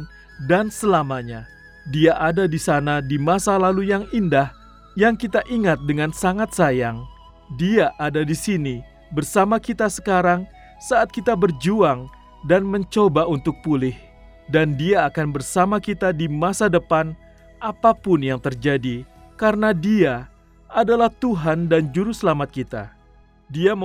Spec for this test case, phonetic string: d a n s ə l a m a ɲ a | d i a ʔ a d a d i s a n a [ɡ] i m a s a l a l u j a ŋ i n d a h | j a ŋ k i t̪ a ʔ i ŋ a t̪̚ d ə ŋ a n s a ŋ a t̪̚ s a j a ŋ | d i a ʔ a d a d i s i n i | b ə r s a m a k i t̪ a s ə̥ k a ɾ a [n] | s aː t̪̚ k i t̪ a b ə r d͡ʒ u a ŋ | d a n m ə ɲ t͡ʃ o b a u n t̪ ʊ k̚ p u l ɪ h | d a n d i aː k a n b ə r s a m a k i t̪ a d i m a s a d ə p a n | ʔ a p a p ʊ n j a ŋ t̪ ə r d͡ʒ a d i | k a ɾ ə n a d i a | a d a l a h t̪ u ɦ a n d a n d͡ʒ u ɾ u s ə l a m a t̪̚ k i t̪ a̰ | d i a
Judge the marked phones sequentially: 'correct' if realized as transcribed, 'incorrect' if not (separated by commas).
incorrect, incorrect